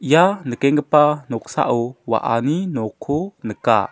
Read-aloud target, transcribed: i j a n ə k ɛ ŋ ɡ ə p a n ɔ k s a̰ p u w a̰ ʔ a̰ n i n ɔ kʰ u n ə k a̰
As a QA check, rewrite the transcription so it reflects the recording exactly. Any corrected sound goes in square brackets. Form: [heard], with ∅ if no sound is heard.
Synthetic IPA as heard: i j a n ə k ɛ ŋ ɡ ə p a n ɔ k s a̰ [ʔ] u w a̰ ʔ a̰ n i n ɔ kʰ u n ə k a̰